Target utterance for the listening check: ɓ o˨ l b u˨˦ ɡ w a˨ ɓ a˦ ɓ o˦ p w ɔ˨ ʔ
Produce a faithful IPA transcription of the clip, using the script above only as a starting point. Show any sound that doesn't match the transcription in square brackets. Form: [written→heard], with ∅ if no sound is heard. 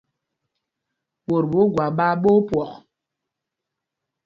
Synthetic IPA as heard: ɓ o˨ [l→ɾ] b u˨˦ ɡ w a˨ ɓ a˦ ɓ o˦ p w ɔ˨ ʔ